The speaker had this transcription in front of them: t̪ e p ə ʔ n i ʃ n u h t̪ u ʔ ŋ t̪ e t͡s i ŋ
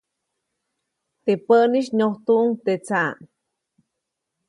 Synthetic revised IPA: t̪ e p ə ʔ n i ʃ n o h t̪ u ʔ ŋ t̪ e t͡s a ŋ